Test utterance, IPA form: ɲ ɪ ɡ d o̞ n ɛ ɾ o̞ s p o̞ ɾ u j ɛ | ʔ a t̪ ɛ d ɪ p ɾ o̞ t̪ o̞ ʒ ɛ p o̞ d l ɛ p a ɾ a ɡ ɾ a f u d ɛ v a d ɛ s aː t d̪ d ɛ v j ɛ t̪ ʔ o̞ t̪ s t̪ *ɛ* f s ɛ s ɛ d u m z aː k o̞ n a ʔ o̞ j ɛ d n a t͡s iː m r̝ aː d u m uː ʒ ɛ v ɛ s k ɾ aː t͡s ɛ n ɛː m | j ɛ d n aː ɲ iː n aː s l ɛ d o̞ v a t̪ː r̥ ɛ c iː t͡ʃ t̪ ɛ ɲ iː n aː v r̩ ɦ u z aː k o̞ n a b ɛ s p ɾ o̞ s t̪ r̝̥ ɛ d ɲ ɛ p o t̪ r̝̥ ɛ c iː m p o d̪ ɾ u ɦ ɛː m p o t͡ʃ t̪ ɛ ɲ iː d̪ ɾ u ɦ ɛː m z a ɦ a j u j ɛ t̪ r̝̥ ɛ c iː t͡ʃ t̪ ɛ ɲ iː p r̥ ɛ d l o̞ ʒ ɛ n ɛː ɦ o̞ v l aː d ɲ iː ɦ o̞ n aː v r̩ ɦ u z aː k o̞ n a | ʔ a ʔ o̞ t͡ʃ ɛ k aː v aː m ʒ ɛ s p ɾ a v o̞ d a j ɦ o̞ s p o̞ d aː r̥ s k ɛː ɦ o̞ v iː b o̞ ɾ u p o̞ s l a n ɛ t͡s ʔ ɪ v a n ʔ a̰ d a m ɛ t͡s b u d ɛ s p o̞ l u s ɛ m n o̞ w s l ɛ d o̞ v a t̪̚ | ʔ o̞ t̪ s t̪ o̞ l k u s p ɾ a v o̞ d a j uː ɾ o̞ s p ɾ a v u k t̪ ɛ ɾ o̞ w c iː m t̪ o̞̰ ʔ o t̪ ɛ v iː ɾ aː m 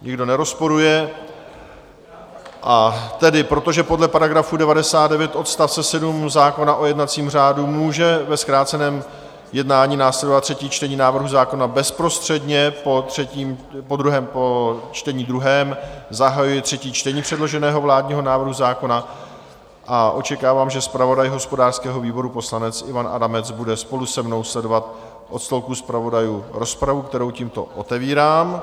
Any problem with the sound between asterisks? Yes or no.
yes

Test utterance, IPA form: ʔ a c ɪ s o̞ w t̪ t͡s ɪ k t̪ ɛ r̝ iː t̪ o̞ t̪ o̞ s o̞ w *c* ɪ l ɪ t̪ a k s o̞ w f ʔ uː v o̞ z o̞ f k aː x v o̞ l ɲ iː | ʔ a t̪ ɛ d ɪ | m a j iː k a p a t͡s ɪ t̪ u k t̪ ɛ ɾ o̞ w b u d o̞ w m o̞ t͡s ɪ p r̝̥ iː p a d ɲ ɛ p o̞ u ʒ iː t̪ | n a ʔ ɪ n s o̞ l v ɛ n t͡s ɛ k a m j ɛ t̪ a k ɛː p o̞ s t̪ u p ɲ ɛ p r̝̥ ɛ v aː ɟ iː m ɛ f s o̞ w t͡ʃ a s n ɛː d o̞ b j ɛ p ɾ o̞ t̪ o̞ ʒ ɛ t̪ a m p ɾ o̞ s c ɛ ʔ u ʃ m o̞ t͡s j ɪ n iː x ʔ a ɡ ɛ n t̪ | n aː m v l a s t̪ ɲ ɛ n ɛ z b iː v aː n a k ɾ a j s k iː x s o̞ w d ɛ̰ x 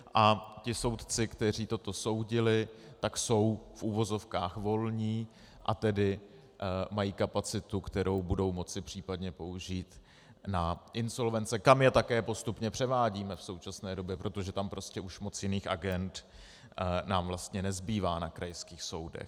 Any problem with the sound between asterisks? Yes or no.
yes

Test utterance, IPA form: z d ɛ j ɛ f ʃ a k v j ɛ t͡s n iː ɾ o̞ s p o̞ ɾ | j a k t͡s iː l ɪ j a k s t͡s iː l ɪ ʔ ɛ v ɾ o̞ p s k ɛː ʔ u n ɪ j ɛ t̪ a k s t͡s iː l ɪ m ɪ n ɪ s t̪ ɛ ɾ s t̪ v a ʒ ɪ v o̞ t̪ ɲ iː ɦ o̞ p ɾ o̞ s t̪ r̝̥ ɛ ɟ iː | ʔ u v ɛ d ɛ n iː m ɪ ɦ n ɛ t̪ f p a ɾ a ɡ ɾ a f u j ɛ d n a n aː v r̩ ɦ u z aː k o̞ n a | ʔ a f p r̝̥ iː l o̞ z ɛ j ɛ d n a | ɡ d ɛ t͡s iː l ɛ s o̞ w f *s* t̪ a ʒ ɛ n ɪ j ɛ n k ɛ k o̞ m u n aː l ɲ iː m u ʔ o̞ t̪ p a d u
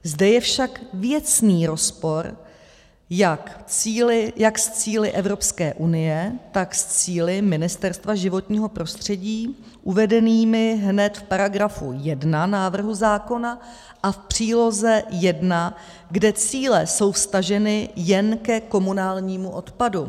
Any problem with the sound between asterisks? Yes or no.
no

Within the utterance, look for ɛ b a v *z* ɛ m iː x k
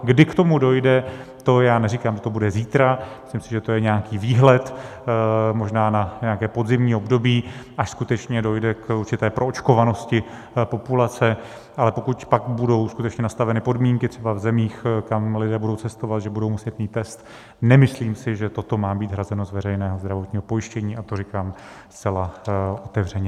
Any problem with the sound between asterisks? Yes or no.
no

